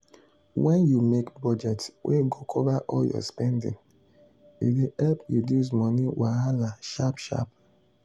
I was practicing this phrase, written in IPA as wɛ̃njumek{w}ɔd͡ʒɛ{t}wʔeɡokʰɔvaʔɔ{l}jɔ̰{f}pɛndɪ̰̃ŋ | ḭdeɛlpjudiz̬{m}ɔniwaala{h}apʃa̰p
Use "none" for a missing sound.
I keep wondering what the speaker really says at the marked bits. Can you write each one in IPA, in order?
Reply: b, t, l, s, m, ʃ

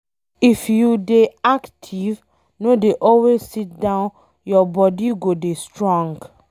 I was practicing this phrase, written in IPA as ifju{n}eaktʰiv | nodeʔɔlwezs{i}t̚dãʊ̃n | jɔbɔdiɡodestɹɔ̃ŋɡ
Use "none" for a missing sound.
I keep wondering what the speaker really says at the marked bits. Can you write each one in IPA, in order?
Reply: d, i

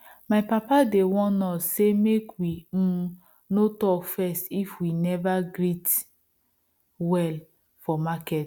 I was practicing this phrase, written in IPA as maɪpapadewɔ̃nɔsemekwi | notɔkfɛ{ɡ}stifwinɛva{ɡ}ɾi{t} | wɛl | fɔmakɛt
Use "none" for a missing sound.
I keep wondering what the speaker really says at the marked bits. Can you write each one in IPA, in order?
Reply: none, ɡ, t

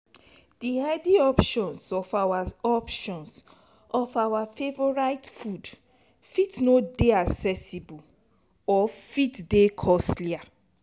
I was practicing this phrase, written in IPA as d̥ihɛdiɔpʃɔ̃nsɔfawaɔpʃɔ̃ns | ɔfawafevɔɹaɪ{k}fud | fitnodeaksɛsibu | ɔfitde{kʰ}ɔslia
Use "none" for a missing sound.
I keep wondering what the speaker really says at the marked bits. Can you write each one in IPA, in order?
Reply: t, kʰ

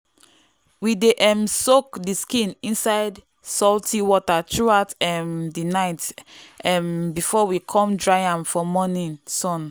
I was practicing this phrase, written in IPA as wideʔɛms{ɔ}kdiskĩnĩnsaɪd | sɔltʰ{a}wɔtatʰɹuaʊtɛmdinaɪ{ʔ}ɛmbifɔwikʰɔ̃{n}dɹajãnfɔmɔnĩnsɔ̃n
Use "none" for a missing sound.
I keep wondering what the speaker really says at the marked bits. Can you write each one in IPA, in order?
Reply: o, i, t, m

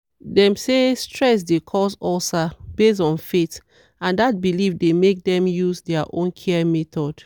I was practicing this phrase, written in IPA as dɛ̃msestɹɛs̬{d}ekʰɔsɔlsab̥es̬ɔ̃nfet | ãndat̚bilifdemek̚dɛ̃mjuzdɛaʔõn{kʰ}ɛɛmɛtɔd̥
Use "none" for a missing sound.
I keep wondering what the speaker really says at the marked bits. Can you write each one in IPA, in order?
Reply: d, kʰ

